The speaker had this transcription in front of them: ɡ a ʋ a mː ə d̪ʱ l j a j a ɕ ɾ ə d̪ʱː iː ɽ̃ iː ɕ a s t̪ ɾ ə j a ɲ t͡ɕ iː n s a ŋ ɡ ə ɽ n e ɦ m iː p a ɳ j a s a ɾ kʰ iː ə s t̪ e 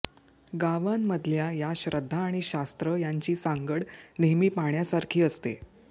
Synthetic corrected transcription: ɡ a ʋ a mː ə d̪ʱ l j a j a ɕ ɾ ə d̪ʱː aː ɽ̃ i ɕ a s t̪ ɾ ə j a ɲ t͡ɕ iː s a ŋ ɡ ə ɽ n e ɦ m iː p a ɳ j a s a ɾ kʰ iː ə s t̪ e